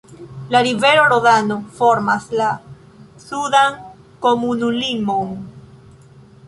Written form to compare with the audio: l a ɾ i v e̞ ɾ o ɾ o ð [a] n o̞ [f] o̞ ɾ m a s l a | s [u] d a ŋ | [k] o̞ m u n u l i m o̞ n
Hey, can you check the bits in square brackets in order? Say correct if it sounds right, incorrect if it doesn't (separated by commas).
correct, correct, correct, correct